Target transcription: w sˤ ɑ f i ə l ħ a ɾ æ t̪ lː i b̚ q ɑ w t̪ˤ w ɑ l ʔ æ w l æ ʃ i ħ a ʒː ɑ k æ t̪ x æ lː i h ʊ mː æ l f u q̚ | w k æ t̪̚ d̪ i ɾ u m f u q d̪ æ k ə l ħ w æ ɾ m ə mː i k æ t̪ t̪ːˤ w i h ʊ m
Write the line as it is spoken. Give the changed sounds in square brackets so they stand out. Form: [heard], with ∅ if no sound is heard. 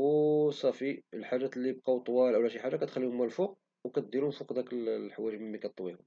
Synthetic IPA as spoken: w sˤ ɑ f i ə l ħ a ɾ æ t̪ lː i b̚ q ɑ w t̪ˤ w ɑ l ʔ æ w l æ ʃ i ħ a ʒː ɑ k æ t̪ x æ lː i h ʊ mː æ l f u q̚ | w k æ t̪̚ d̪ i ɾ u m f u q d̪ æ k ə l ħ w æ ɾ m ə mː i k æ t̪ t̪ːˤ w i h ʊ m